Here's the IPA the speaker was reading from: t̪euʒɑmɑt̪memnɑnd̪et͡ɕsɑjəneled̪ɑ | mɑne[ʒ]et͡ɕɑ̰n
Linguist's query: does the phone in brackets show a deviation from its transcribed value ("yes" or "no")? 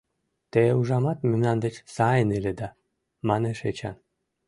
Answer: yes